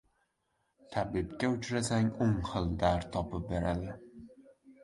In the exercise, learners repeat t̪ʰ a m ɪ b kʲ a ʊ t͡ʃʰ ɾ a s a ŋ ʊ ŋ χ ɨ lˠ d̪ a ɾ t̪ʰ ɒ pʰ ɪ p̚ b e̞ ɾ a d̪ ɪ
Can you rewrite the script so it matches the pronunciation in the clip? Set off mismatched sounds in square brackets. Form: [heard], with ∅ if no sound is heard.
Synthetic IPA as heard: t̪ʰ a [b] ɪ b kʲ a ʊ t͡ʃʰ ɾ a s a ŋ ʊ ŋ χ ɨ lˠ d̪ a ɾ t̪ʰ ɒ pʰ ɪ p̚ b e̞ ɾ a d̪ ɪ